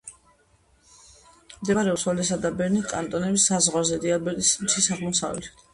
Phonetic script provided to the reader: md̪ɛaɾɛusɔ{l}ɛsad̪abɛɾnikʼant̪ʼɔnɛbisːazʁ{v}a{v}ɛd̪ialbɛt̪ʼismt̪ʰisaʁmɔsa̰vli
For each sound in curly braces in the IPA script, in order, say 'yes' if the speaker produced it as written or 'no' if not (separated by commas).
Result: yes, no, no